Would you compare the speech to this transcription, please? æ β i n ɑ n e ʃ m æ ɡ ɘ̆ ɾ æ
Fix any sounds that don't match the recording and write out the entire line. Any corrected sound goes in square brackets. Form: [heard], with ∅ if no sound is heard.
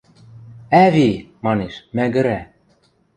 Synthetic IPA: æ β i [m] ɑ n e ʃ m æ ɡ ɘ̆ ɾ æ